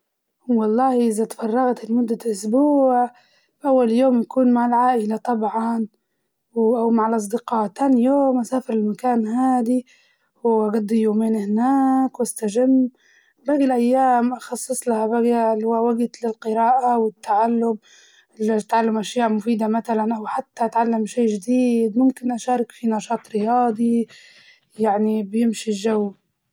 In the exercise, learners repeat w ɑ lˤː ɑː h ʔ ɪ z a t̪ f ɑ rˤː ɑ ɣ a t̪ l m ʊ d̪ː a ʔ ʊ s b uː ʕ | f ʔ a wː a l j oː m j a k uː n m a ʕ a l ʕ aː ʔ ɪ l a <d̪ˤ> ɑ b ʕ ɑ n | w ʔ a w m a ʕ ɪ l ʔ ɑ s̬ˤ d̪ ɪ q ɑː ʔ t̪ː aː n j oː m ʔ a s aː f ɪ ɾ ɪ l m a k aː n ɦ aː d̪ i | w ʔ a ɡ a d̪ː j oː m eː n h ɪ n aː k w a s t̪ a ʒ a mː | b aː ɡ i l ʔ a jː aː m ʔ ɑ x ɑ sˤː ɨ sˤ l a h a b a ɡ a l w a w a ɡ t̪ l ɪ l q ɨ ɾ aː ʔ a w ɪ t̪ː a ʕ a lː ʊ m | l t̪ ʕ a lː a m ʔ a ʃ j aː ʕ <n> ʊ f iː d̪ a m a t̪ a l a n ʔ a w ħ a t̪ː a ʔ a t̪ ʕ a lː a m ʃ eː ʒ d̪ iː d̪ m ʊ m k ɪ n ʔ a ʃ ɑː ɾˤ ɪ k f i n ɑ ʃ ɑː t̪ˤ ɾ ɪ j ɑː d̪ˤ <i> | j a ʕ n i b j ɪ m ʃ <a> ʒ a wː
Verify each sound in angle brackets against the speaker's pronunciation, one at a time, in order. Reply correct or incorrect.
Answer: incorrect: t̪ˤ, incorrect: m, correct, incorrect: i

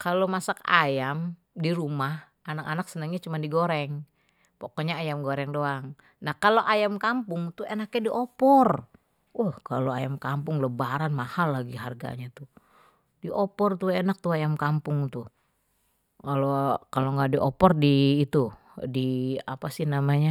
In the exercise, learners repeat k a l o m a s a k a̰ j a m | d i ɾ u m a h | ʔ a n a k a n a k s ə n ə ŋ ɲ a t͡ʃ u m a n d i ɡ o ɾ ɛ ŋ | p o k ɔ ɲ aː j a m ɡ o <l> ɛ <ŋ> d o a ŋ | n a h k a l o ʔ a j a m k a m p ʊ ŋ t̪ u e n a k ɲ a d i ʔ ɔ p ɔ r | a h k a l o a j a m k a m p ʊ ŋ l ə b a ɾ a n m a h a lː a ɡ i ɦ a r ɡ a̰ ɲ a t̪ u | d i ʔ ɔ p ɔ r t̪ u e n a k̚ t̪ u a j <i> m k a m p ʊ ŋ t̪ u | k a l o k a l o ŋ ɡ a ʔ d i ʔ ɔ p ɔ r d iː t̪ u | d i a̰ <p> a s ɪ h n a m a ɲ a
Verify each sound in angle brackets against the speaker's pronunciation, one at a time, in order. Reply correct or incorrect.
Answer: incorrect: ɾ, correct, incorrect: a, correct

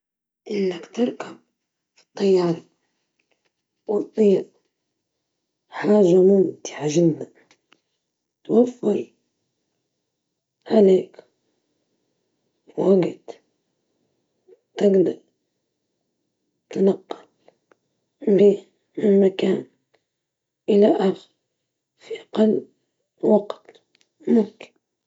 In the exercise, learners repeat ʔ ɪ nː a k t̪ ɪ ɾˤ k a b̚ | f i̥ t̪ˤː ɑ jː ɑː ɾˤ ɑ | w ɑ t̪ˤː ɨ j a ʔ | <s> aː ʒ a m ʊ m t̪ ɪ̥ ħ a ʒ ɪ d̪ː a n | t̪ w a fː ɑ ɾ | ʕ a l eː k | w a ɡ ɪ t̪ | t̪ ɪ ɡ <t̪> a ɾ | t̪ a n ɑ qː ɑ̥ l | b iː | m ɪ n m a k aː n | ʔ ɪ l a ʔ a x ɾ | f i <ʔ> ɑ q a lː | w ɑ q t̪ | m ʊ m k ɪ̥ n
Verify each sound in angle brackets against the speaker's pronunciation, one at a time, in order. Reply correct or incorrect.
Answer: incorrect: ħ, incorrect: d̪, correct

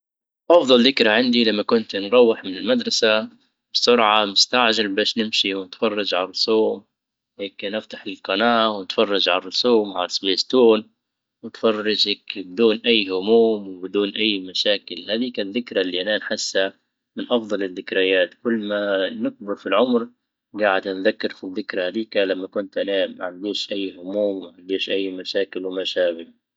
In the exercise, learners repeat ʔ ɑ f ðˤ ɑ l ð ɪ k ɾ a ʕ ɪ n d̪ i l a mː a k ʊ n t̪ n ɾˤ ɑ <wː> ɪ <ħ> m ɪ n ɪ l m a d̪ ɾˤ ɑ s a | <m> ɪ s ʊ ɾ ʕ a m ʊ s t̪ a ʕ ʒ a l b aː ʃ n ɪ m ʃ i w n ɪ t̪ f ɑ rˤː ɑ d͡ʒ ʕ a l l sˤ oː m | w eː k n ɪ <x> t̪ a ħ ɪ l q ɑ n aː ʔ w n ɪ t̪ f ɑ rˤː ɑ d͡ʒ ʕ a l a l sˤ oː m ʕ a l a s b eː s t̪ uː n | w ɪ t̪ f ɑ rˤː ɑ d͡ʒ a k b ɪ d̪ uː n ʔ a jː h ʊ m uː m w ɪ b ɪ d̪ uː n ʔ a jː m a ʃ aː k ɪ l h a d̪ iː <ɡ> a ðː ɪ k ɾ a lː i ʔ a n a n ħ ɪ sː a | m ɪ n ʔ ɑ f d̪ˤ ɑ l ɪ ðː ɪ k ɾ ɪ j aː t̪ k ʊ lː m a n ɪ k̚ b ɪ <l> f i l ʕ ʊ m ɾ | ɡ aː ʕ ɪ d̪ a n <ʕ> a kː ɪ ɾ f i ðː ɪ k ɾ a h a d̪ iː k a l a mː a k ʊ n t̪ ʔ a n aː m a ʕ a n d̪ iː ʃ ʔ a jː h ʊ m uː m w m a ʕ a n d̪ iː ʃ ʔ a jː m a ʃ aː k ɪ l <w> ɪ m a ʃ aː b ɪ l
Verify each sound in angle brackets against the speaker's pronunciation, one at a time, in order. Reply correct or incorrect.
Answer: correct, correct, incorrect: b, incorrect: f, incorrect: k, incorrect: ɾ, incorrect: ð, correct

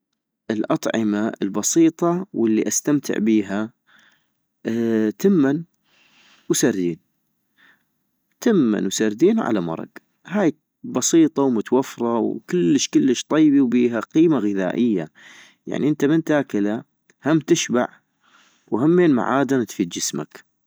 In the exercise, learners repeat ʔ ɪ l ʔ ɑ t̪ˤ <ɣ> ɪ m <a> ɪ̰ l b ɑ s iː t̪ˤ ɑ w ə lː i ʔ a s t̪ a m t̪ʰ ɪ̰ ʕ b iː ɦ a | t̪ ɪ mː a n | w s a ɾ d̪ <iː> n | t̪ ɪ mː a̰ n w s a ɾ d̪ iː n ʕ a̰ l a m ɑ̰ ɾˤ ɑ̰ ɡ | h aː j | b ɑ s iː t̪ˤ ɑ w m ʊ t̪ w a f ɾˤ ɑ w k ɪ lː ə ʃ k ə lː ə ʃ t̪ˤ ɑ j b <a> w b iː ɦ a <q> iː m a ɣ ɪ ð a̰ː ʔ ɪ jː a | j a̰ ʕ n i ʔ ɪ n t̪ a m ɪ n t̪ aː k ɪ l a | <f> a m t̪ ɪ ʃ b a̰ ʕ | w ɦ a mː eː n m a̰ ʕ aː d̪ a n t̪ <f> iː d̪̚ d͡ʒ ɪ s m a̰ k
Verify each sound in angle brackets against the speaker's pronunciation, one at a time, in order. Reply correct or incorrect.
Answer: incorrect: ʕ, correct, correct, incorrect: i, correct, incorrect: h, correct

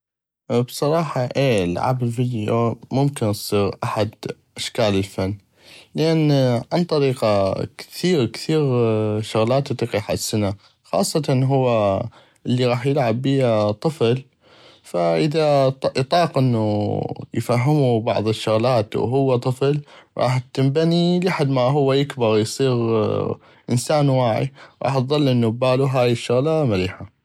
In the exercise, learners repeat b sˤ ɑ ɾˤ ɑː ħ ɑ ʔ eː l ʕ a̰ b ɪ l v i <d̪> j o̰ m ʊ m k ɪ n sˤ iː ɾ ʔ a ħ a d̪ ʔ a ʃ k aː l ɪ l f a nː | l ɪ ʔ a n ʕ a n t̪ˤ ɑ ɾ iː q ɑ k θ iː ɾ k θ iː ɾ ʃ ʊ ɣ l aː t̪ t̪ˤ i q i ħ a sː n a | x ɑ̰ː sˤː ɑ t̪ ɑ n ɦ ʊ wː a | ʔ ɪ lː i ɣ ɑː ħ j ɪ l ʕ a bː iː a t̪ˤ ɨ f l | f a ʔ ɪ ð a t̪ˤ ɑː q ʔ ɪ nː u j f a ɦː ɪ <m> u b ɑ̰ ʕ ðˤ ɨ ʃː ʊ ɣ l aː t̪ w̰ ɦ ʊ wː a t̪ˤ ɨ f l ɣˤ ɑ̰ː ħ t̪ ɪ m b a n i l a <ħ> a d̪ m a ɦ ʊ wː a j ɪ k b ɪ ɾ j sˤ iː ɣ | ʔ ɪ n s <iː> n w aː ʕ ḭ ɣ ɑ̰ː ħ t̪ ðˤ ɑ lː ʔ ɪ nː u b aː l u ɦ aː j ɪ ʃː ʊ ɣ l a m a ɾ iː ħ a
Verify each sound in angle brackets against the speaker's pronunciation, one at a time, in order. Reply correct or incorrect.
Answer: correct, correct, correct, incorrect: aː

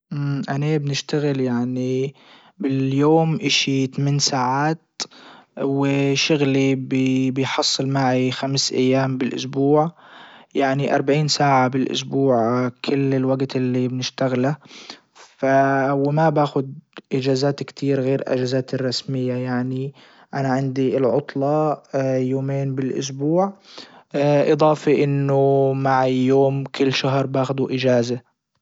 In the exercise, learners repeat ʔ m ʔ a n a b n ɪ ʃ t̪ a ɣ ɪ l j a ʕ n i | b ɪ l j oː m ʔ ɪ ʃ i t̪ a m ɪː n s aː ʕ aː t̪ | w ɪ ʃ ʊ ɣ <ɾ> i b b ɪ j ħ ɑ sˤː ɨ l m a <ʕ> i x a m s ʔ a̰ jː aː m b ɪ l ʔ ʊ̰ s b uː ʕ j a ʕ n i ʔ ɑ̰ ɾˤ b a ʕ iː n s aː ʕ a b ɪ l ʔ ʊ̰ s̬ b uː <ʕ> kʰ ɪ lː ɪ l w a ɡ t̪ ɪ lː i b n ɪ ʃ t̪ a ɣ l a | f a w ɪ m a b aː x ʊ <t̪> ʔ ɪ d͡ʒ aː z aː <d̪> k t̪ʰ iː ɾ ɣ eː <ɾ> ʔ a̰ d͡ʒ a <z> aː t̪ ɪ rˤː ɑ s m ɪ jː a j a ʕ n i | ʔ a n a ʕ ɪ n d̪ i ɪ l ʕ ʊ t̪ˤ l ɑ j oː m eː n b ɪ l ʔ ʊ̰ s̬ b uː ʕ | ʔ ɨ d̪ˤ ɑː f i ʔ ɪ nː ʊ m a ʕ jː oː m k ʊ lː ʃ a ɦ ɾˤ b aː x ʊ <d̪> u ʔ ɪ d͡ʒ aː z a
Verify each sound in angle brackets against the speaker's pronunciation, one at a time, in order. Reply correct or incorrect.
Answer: incorrect: l, correct, correct, incorrect: d̪, incorrect: t̪, correct, correct, correct

